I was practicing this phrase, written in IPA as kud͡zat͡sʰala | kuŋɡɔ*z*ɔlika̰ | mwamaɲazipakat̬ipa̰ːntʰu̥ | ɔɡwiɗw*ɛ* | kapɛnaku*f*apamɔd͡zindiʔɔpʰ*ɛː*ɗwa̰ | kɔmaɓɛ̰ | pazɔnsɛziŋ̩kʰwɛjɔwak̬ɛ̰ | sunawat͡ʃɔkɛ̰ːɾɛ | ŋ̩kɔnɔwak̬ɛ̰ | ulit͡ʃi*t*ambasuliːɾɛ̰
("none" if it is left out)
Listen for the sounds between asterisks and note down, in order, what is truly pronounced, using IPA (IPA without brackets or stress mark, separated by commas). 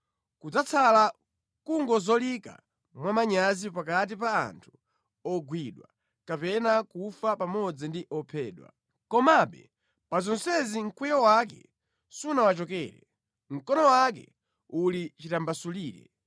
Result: z, a, f, ɛː, t